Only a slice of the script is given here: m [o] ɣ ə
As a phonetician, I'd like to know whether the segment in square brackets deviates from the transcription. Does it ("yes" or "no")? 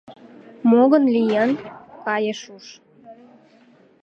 no